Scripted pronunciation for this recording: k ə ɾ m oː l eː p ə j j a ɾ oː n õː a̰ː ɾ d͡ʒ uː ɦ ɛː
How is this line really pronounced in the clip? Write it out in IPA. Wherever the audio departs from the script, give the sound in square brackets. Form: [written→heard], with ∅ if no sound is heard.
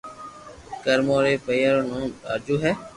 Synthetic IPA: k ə ɾ m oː [l→ɾ] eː p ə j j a ɾ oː n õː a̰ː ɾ d͡ʒ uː ɦ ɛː